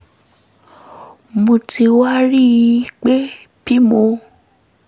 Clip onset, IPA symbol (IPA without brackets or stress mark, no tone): m